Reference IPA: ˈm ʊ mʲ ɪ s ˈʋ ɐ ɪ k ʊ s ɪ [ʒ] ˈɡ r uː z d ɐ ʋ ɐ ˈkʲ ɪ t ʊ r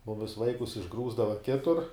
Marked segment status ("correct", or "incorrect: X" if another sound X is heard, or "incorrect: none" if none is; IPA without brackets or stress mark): correct